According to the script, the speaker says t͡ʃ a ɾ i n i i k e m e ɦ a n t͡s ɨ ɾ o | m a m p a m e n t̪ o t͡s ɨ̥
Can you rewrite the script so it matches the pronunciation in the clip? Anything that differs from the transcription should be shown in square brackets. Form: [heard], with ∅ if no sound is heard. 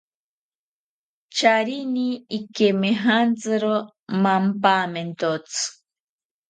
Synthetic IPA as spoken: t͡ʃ a ɾ i n i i k e m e ɦ a n t͡s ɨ ɾ o | m a m p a m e n t̪ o t͡s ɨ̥